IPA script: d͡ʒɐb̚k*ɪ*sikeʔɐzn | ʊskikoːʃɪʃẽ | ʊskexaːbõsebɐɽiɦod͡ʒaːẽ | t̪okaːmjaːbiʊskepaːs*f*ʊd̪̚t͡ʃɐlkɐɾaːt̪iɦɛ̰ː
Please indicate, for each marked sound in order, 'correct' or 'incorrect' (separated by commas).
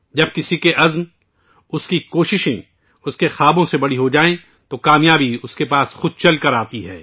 correct, incorrect